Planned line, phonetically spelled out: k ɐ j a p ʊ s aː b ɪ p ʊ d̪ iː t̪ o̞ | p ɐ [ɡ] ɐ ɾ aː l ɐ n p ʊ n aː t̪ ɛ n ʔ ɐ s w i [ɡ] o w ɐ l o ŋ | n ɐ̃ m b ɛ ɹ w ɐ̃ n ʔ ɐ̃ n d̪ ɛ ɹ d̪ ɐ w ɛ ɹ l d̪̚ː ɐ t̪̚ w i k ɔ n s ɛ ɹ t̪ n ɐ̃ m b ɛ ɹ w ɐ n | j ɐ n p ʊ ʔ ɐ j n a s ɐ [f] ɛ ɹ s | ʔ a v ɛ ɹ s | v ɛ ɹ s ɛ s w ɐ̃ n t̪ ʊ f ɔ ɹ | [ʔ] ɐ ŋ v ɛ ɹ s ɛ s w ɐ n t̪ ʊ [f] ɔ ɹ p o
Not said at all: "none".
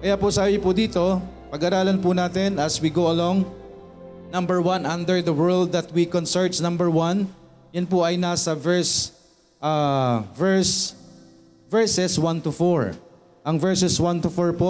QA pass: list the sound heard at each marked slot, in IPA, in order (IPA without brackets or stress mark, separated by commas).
ɡ, ɡ, v, ʔ, f